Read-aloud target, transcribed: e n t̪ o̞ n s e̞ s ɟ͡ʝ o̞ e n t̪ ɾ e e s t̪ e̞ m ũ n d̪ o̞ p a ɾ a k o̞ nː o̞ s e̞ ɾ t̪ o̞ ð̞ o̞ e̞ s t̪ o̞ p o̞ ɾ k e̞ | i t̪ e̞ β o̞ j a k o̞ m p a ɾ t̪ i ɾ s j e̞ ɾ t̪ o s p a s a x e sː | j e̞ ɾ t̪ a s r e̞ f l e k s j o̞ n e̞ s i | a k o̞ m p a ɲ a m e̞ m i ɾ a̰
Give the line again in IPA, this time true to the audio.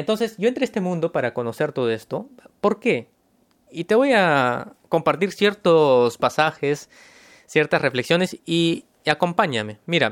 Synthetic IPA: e n t̪ o̞ n s e̞ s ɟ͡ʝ o̞ e n t̪ ɾ e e s t̪ e̞ m ũ n d̪ o̞ p a ɾ a k o̞ n o̞ s e̞ ɾ t̪ o̞ ð̞ o̞ e̞ s t̪ o̞ p o̞ ɾ k e̞ | i t̪ e̞ β o̞ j a k o̞ m p a ɾ t̪ i ɾ s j e̞ ɾ t̪ o s p a s a x e sː | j e̞ ɾ t̪ a s r e̞ f l e k s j o̞ n e̞ s i | a k o̞ m p a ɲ a m e̞ m i ɾ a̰